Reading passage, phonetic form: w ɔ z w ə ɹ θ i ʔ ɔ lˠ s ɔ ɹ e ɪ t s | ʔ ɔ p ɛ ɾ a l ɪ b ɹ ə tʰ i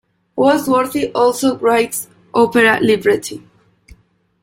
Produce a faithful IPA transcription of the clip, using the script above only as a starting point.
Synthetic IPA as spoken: w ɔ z w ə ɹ θ i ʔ ɔ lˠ s o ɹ a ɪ t s | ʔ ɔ p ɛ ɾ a l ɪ b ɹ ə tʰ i